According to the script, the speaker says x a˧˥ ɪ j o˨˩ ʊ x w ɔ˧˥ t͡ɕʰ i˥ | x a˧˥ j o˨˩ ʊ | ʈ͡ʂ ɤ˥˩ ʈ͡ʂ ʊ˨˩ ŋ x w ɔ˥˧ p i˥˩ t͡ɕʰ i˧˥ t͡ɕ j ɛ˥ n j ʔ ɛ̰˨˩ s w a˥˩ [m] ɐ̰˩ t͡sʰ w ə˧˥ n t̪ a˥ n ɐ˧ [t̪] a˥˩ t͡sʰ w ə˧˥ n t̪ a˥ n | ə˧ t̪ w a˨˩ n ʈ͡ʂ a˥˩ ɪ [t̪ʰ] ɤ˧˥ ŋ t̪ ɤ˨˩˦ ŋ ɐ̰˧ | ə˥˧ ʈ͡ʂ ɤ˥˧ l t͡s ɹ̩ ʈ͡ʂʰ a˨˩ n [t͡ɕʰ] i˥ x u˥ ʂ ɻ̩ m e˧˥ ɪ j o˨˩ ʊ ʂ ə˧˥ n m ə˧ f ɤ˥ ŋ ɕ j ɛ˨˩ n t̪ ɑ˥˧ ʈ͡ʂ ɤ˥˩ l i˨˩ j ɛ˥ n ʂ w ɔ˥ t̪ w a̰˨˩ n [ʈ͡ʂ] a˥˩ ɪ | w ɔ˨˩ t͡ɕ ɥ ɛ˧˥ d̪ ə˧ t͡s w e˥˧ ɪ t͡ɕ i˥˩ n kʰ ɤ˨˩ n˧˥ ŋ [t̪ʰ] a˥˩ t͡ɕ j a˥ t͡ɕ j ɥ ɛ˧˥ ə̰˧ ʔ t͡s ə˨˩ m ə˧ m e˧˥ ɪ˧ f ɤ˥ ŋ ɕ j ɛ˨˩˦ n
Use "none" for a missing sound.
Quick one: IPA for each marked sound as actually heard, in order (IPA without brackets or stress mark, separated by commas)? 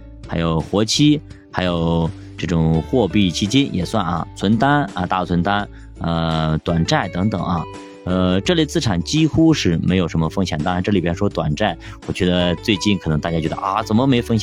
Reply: n, t̪, t̪, t͡ɕ, ʈ͡ʂ, t̪